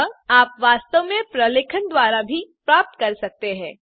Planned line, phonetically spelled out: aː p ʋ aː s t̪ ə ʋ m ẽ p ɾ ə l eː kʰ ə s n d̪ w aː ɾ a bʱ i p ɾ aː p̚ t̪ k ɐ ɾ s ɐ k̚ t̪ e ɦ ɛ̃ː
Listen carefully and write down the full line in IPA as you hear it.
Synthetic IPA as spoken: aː p ʋ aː s t̪ ə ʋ m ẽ p ɾ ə l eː kʰ ə n d̪ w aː ɾ a bʱ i p ɾ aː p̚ t̪ k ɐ ɾ s ɐ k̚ t̪ e ɦ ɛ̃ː